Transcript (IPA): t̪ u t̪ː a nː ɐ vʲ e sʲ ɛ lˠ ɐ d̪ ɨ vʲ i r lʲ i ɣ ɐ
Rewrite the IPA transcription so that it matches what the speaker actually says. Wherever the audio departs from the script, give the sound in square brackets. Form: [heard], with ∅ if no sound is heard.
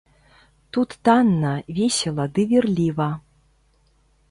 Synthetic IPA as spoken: t̪ u t̪ː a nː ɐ vʲ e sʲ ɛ lˠ ɐ d̪ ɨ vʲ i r lʲ i [v] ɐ